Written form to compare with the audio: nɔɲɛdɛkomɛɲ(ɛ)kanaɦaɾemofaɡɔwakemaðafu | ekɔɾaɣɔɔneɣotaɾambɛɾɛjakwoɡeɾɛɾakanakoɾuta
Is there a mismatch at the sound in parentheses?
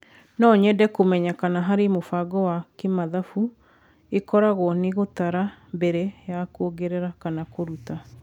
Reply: yes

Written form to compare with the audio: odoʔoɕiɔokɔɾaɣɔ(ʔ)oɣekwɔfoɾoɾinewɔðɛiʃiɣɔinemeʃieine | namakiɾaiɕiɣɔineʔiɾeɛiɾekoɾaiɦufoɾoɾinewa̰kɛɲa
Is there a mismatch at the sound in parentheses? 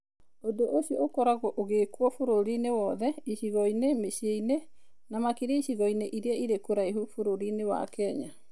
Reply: no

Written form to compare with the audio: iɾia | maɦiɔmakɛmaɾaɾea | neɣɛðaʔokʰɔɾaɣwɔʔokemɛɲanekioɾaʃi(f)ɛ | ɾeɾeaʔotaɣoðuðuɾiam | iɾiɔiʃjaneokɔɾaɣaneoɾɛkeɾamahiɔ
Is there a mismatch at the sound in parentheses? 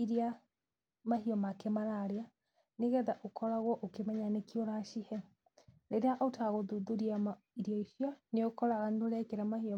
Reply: yes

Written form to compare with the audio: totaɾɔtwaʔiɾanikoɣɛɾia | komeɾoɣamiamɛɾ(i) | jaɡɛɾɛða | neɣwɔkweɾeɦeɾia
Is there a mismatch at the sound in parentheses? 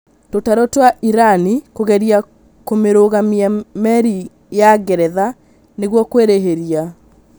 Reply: no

